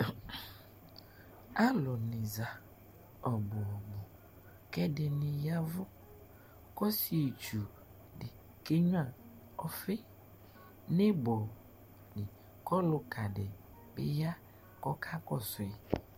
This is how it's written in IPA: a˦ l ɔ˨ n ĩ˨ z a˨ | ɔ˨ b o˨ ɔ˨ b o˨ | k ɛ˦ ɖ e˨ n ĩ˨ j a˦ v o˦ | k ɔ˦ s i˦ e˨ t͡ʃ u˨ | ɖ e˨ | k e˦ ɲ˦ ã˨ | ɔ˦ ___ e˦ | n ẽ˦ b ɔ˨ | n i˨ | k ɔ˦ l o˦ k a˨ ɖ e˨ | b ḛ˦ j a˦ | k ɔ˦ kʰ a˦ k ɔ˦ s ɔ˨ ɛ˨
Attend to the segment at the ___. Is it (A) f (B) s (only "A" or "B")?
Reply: A